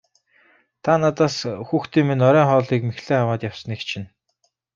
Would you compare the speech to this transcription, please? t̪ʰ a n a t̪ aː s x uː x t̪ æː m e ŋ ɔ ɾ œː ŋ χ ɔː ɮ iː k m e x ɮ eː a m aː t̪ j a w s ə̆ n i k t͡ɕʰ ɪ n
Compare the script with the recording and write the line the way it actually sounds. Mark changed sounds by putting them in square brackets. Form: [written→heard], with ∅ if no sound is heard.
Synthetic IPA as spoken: t̪ʰ a n a t̪ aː s x uː x t̪ [æː→iː] m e [ŋ→n] ɔ ɾ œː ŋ χ ɔː ɮ iː k m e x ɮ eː a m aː t̪ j a w s ə̆ n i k t͡ɕʰ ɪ n

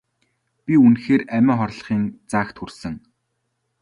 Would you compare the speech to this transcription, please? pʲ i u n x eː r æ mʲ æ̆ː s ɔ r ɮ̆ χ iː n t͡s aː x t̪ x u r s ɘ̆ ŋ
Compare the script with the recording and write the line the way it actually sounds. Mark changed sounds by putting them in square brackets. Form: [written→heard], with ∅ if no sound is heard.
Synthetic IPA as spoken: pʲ i u n x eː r æ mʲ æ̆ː [s→χ] ɔ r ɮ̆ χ iː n t͡s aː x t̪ x u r s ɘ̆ ŋ

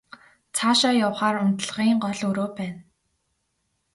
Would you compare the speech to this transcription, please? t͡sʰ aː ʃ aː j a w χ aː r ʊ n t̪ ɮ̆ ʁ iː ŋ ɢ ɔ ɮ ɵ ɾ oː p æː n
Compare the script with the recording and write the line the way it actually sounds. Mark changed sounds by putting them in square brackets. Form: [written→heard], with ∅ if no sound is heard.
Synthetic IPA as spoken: t͡sʰ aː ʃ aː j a w χ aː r ʊ n t̪ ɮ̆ ʁ iː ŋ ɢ ɔ ɮ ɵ ɾ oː p æː n

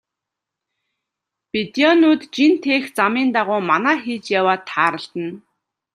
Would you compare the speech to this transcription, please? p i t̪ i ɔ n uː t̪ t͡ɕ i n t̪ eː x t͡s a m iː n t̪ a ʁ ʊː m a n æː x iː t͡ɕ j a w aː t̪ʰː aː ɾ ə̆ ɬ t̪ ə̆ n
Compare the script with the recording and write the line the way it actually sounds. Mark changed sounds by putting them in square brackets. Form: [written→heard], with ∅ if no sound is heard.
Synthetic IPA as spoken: p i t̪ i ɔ n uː t̪ t͡ɕ i n [t̪→t̪ʰ] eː x t͡s a m iː n t̪ a ʁ ʊː m a n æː x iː t͡ɕ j a w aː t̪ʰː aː ɾ ə̆ ɬ t̪ ə̆ n

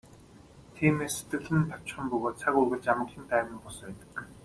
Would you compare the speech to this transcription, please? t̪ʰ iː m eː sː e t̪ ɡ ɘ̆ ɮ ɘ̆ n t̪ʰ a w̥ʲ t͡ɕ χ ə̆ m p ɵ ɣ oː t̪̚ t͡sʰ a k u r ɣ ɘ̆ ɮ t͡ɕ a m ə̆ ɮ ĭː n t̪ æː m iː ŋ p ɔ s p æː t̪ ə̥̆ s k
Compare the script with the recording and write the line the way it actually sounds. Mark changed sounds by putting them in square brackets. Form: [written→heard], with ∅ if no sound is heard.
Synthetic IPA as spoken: t̪ʰ iː m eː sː e t̪ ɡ ɘ̆ ɮ ɘ̆ n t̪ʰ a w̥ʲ t͡ɕ χ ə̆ m p ɵ ɣ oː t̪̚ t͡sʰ a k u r ɣ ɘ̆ ɮ t͡ɕ a m ə̆ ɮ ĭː n t̪ æː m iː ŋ p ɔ s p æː t̪ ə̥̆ [s→∅] k

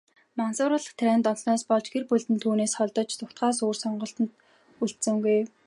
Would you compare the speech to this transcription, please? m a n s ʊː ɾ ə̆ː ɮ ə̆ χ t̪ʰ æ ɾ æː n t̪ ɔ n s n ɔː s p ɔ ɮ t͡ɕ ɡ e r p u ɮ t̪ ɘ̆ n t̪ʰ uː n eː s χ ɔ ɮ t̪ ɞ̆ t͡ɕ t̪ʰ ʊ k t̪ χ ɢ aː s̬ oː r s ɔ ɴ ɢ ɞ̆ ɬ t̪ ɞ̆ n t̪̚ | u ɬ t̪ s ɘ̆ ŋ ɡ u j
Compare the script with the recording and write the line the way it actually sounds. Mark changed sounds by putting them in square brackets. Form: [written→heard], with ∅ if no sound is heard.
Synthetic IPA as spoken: m a n s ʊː ɾ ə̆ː ɮ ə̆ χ t̪ʰ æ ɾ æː n t̪ ɔ n s n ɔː s p ɔ ɮ t͡ɕ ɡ e r p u ɮ t̪ ɘ̆ n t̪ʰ uː n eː s χ ɔ ɮ t̪ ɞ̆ t͡ɕ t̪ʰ ʊ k t̪ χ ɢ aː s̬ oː r s ɔ ɴ ɢ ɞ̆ ɬ t̪ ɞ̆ n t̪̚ | u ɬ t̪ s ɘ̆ ŋ ɡ u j

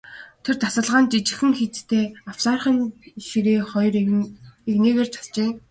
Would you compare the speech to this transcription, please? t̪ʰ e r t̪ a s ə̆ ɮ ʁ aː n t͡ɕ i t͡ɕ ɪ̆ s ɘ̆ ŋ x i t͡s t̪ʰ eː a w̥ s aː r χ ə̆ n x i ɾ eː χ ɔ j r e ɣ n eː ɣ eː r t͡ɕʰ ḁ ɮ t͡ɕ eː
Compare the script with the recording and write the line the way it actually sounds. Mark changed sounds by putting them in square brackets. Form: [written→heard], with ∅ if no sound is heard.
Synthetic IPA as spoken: t̪ʰ e r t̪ a s ə̆ ɮ ʁ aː n t͡ɕ i t͡ɕ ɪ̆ [s→x] ɘ̆ ŋ x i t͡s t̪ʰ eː a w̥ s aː r χ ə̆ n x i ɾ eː χ ɔ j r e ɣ n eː ɣ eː r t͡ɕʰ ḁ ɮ t͡ɕ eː

